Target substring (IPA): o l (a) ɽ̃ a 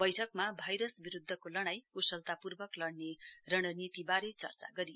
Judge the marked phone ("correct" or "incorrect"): incorrect